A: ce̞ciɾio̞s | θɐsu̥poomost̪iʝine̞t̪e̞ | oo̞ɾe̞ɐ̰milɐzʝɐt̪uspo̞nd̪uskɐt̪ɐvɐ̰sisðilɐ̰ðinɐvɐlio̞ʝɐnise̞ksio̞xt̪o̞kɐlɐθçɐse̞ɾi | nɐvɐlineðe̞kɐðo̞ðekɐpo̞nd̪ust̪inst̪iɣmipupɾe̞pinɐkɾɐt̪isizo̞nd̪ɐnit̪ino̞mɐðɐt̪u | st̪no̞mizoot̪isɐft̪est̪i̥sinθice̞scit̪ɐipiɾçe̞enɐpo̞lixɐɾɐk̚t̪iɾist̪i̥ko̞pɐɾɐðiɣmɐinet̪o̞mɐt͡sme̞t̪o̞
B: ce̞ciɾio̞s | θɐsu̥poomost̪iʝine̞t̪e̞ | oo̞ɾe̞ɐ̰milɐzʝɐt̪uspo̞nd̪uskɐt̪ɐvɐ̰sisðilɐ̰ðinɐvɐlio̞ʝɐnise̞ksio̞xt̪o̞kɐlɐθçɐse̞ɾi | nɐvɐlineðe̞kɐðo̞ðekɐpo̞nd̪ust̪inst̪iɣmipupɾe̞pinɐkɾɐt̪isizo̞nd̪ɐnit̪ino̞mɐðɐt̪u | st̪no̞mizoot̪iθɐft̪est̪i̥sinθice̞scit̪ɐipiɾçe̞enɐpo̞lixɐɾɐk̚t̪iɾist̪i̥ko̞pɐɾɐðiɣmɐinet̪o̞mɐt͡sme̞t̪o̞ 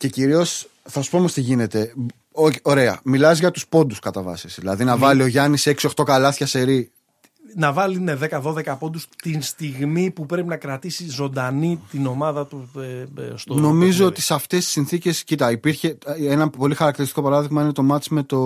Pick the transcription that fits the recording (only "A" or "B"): A